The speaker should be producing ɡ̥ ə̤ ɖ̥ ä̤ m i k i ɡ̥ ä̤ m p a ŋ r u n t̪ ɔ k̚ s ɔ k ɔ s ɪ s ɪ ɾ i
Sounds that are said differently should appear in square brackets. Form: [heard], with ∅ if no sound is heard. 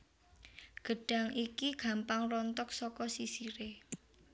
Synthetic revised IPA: ɡ̥ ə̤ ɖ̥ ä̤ [ŋ] i k i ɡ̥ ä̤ m p a ŋ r [ɔ] n t̪ ɔ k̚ s ɔ k ɔ s [i] s [i] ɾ [e]